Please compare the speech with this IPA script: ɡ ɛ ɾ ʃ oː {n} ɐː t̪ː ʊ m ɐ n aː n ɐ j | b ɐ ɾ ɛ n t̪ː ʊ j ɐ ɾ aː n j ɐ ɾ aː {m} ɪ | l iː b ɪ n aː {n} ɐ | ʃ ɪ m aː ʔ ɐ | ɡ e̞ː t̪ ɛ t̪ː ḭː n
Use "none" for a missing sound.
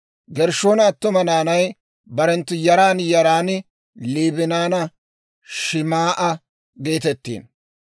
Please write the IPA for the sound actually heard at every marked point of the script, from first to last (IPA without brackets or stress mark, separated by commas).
n, n, n